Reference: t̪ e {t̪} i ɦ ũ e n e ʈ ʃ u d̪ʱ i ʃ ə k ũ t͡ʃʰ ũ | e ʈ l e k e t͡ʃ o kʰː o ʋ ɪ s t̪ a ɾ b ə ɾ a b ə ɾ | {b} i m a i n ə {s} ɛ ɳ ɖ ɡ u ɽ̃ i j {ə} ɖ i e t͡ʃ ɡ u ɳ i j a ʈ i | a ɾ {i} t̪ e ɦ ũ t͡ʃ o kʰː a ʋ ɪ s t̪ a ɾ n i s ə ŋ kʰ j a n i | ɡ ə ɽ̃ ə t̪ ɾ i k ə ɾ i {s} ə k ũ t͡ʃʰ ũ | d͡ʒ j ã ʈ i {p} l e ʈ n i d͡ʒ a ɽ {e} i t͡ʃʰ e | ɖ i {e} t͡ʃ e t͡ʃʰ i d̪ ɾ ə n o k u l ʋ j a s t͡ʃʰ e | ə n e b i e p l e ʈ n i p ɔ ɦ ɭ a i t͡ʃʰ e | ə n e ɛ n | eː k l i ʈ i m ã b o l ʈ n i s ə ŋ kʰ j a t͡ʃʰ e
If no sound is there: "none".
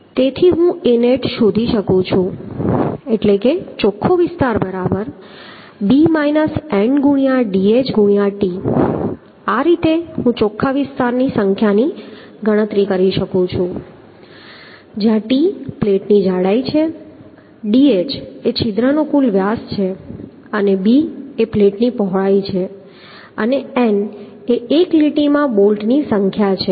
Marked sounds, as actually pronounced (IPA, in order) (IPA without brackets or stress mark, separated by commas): t̪ʰ, b, s, a, i, ʃ, p, a, e